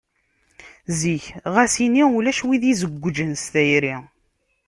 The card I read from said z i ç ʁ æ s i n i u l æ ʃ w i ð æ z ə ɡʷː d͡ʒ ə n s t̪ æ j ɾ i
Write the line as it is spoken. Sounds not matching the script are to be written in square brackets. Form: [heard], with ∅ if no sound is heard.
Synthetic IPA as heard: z i ç ʁ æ s i n i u l æ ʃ w i ð [i] z ə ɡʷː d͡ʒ ə n s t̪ æ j ɾ i